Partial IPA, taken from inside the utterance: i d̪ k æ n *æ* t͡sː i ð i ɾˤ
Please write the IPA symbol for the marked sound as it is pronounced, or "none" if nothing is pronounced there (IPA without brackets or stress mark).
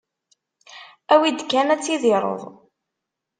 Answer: æ